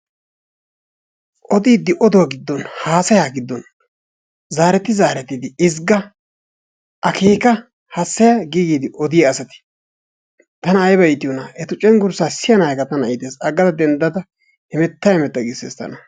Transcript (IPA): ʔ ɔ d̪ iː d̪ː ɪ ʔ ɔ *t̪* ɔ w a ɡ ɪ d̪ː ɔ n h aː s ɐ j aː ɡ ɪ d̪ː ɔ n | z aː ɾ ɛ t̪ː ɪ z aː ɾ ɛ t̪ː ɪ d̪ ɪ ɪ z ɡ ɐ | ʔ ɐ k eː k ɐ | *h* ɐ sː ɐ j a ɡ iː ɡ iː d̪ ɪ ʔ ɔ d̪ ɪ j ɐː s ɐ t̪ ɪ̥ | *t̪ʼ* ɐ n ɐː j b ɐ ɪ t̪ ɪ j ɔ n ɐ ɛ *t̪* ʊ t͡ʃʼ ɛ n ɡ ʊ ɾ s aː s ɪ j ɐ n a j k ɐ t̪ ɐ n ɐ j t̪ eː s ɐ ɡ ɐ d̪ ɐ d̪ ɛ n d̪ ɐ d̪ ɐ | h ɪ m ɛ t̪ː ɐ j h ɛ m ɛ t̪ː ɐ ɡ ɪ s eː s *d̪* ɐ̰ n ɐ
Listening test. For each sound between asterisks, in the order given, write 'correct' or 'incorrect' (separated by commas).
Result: incorrect, correct, incorrect, correct, incorrect